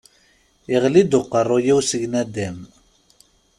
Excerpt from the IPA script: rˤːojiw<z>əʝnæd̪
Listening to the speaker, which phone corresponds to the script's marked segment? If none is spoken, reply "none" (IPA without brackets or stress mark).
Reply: s